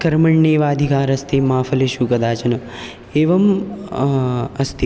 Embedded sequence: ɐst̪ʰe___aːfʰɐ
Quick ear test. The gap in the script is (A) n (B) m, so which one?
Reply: B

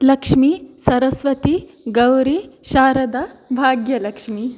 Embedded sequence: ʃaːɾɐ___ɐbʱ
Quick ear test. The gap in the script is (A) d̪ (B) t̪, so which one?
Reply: A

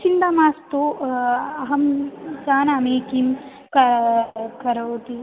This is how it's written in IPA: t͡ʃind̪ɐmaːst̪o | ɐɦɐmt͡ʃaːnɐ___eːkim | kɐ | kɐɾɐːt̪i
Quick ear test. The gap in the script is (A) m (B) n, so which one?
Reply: A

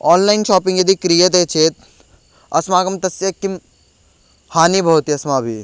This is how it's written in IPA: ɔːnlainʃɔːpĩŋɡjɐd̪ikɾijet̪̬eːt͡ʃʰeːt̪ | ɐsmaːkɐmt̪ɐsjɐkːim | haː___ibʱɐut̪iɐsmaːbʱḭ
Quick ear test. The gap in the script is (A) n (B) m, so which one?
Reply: A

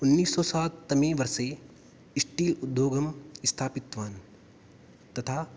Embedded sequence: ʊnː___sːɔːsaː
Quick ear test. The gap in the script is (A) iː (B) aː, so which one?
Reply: A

